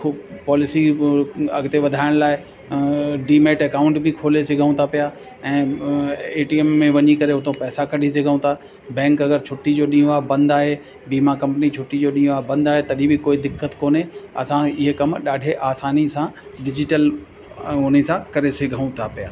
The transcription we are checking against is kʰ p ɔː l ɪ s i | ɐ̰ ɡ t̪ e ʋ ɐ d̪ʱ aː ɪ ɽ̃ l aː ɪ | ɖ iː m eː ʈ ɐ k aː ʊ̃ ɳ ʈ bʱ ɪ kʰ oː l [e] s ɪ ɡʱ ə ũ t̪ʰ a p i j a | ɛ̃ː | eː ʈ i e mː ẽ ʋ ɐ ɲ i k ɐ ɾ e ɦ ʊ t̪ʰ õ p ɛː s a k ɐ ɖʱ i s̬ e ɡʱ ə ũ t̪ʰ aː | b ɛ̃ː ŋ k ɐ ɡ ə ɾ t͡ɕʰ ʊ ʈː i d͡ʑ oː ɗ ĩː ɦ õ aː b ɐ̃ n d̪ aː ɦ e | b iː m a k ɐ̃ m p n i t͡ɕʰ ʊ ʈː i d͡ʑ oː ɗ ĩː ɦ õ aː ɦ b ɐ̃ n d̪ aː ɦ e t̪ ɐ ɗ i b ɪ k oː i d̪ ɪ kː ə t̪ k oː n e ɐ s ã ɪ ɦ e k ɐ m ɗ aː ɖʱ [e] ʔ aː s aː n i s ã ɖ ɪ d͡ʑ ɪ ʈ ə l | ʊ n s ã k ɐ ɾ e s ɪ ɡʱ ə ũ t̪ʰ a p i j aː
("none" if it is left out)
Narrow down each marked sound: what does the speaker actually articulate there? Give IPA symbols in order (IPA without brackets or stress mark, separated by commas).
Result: e, e